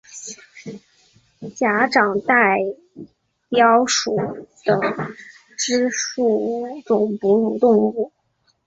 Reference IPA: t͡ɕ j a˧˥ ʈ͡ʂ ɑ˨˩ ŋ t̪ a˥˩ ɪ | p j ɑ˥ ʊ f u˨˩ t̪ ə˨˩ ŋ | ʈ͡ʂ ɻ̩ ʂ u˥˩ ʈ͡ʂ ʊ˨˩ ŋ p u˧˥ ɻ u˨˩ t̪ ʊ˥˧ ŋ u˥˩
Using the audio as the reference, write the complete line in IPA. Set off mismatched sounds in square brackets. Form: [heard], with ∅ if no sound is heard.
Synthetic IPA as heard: t͡ɕ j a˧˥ ʈ͡ʂ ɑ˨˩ ŋ t̪ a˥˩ ɪ | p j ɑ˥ ʊ [ʂ] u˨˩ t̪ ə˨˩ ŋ | ʈ͡ʂ ɻ̩ ʂ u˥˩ ʈ͡ʂ ʊ˨˩ ŋ p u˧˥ ɻ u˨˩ t̪ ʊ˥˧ ŋ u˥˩

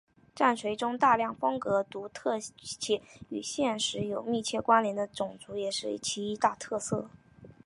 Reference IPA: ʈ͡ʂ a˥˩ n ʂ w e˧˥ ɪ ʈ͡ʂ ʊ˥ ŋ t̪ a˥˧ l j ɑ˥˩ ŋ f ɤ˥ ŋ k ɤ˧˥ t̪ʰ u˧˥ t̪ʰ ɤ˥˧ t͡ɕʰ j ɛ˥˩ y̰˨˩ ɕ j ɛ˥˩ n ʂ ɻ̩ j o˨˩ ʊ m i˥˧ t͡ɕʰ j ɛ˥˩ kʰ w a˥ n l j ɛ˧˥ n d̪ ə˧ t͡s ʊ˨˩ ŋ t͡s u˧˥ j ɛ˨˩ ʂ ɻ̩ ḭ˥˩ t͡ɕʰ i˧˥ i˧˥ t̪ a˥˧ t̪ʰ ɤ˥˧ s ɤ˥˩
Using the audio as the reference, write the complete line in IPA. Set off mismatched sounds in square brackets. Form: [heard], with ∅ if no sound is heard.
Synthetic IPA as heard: ʈ͡ʂ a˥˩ n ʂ w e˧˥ ɪ ʈ͡ʂ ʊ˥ ŋ t̪ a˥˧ l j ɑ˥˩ ŋ f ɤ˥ ŋ k ɤ˧˥ [t̪] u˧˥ t̪ʰ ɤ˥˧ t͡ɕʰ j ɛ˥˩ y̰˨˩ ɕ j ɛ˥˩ n ʂ ɻ̩ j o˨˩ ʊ m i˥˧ t͡ɕʰ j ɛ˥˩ [k] w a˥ n l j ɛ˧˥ n d̪ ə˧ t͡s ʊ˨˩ ŋ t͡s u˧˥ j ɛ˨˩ ʂ ɻ̩ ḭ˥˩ t͡ɕʰ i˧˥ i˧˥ t̪ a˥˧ t̪ʰ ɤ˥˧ s ɤ˥˩

